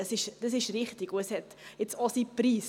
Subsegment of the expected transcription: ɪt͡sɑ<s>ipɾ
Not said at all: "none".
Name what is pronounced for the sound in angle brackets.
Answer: s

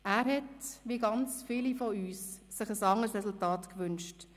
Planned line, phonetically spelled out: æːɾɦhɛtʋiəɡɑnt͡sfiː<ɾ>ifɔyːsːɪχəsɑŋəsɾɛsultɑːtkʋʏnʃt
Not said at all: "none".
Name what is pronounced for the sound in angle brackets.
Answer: l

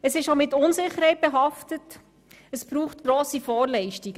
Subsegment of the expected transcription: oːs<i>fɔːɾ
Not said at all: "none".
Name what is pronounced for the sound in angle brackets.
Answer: i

